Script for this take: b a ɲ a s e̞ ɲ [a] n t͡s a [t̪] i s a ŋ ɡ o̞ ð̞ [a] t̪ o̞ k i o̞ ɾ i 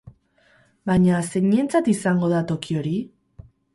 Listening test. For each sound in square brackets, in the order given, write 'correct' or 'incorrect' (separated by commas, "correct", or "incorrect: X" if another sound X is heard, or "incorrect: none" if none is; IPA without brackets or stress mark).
incorrect: e, correct, correct